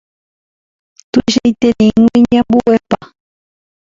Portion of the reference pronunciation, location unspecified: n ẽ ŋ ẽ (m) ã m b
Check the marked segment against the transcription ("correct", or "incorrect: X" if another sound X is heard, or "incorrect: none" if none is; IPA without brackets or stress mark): incorrect: ɲ